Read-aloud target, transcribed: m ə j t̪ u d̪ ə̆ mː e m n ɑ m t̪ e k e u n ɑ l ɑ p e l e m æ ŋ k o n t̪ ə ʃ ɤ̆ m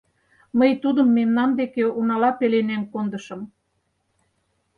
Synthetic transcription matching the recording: m ə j t̪ u d̪ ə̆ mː e m n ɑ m d̪ e k e u n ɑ l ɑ p e l e n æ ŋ k o n d̪ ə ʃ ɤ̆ m

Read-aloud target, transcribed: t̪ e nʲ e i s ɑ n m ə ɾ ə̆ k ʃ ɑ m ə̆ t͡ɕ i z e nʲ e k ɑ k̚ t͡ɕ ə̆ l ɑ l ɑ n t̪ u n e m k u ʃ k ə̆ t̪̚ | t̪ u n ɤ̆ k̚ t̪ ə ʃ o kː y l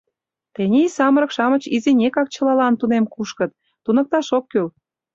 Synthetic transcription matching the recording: t̪ e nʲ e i s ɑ m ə ɾ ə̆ k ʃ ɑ m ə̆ t͡ɕ i z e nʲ e k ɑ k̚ t͡ɕ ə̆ l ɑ l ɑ n t̪ u n e m k u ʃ k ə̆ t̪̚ | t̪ u n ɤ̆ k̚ t̪ ɑ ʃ o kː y l

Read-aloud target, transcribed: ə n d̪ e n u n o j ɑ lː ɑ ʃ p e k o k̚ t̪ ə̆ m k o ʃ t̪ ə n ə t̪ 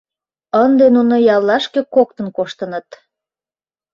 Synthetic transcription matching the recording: ə n d̪ e n u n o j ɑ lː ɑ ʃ k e k o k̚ t̪ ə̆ n k o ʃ t̪ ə n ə t̪

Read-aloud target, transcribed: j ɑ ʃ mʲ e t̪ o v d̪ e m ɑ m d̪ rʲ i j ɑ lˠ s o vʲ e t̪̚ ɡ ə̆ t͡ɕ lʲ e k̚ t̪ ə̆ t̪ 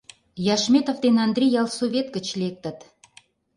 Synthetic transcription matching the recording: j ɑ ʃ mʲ e t̪ o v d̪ e n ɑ n d̪ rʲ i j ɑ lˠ s o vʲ e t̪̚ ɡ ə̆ t͡ɕ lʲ e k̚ t̪ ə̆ t̪

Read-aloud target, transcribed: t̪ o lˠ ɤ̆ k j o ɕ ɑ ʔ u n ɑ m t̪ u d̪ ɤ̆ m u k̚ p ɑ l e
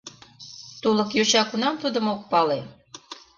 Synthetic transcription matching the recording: t̪ u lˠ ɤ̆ k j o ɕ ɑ k u n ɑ m t̪ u d̪ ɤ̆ m o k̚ p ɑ l e

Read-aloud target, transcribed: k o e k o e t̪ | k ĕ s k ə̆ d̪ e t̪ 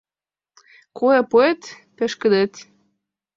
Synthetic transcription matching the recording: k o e p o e t̪ | p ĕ ʃ k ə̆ d̪ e t̪

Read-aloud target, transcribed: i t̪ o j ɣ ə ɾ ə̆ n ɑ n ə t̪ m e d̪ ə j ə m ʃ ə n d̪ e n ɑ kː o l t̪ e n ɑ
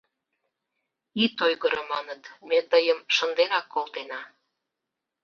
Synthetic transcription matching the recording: i t̪ o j ɣ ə ɾ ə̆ m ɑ n ə t̪ m e t̪ ə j ə m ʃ ə n d̪ e n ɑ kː o l t̪ e n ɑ

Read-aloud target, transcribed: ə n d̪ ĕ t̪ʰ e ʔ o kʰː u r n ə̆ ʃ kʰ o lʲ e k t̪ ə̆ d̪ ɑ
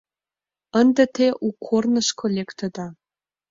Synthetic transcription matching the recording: ə n d̪ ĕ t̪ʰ e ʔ u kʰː o r n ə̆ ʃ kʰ o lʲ e k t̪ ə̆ d̪ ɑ

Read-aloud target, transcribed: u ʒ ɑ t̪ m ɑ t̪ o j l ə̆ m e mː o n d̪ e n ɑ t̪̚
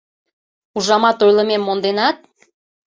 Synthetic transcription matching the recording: u ʒ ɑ m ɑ t̪ o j l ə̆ m e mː o n d̪ e n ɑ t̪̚

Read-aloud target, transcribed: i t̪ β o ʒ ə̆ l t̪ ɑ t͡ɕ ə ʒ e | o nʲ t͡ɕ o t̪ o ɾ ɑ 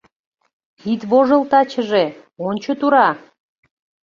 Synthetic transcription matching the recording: i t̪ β o ʒ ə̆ l t̪ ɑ t͡ɕ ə ʒ e | o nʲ t͡ɕ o t̪ u ɾ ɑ

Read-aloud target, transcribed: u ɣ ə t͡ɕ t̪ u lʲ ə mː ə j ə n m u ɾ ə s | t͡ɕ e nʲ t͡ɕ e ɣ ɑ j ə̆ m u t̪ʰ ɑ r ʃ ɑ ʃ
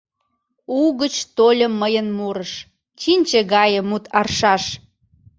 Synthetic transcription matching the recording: u ɣ ə t͡ɕ t̪ o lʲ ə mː ə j ə n m u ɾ ə ʃ | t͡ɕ i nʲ t͡ɕ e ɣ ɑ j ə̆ m u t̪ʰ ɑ r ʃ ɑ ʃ

